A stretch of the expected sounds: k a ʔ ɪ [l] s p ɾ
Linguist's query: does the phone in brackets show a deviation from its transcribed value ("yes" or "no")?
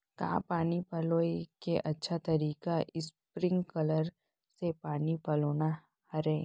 yes